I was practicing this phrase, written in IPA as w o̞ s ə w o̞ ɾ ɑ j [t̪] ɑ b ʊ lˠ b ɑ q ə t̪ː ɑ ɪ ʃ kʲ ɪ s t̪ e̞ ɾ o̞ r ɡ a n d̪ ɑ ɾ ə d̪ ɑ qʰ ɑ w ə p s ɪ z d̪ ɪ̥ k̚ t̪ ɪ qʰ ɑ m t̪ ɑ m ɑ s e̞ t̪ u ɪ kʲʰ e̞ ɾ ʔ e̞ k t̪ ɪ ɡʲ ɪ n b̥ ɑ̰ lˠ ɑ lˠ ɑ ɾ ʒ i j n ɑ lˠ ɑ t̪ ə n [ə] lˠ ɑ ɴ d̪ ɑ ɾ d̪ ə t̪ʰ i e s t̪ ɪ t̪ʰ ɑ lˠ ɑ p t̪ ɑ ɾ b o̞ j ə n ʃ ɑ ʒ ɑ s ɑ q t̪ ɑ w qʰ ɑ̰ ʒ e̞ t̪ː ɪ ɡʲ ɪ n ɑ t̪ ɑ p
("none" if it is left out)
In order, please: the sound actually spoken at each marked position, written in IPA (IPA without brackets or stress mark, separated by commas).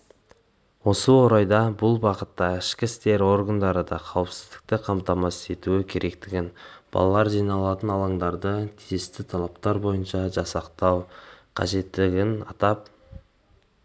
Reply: d̪, ɑ